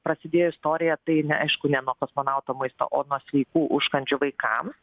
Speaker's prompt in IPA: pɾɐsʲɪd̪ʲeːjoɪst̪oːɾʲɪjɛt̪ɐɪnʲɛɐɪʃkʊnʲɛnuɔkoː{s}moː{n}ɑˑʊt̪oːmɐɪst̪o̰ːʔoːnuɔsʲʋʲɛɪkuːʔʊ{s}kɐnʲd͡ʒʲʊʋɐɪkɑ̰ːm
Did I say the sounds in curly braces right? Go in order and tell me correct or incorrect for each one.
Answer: correct, correct, incorrect

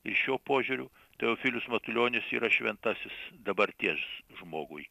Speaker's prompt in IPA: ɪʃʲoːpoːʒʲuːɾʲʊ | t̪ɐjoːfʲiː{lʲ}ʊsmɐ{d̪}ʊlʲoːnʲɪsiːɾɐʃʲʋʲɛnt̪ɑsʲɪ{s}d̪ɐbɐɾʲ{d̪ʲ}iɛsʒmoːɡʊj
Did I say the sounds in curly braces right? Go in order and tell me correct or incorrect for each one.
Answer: correct, incorrect, correct, incorrect

